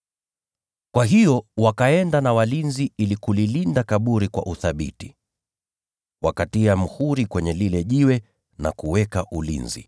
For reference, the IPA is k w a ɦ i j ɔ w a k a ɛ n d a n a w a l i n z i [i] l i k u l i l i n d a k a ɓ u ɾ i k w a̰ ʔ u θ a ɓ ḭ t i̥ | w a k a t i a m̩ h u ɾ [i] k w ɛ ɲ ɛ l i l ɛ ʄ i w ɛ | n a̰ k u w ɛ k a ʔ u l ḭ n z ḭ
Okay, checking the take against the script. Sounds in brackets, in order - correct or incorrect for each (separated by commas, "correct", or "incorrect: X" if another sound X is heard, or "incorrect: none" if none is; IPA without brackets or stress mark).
correct, correct